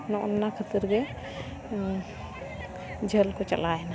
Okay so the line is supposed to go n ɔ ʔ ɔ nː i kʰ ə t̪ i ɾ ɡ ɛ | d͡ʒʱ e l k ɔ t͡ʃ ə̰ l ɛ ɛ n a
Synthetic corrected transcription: n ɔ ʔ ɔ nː a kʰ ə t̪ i ɾ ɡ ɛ | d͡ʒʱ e l k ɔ t͡ʃ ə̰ l a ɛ n a